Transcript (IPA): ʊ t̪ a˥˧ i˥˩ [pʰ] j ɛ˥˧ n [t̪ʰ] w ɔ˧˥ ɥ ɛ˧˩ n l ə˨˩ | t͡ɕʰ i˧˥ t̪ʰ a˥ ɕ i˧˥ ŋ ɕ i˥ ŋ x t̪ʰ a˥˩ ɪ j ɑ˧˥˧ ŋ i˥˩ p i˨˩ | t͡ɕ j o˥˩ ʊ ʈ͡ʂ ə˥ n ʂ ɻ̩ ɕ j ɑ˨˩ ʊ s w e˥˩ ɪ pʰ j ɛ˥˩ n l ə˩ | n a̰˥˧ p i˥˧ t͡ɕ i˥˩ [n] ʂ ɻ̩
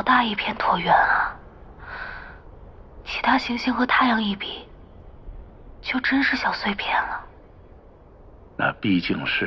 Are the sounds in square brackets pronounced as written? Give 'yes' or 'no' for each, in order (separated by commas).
yes, yes, no